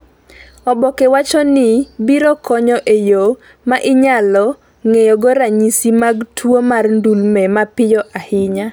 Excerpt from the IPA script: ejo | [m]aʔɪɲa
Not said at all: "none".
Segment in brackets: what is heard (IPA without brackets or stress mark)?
m